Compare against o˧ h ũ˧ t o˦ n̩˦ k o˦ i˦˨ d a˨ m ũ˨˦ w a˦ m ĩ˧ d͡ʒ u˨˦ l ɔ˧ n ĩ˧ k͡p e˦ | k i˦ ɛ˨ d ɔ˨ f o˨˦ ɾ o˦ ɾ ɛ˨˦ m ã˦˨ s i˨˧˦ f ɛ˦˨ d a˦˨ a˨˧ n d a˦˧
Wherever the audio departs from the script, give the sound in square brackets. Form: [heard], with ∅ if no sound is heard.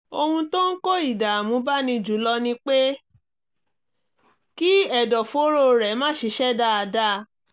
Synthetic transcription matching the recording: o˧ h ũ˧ t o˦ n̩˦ k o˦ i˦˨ d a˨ m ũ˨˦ [b] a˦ [n] ĩ˧ d͡ʒ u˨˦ l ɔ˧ n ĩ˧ k͡p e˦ | k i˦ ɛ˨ d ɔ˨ f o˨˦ ɾ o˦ ɾ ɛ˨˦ m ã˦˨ [ʃ] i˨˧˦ [ʃ] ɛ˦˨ d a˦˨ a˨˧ [∅] d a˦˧